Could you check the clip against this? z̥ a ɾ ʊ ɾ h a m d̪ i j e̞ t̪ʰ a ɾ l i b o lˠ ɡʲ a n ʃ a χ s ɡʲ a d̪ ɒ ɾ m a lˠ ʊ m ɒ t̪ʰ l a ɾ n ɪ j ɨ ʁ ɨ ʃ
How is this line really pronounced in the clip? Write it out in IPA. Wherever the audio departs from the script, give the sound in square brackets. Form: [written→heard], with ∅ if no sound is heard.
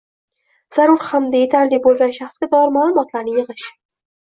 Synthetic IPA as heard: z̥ a ɾ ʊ ɾ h a m d̪ [i→a] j e̞ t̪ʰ a ɾ l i b o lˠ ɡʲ a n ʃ a χ s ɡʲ a d̪ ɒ ɾ m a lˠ ʊ m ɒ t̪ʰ l a ɾ n ɪ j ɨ ʁ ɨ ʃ